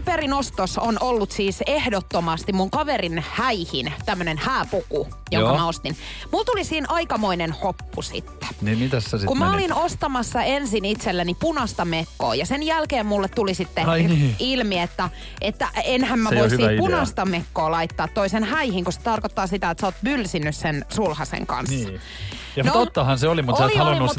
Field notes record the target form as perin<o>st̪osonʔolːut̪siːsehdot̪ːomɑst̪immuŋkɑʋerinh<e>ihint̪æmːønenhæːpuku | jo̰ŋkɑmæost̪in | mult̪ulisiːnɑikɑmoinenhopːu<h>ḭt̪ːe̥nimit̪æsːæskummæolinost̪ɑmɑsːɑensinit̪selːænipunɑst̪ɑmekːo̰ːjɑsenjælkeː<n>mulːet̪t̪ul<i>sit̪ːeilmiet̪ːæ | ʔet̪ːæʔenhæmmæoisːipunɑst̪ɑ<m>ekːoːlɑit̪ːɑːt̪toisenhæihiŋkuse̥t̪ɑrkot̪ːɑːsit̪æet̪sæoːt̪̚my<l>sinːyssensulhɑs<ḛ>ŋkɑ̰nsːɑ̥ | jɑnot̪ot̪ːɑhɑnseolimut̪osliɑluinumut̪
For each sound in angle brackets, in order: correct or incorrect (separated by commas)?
correct, incorrect, incorrect, incorrect, correct, correct, correct, correct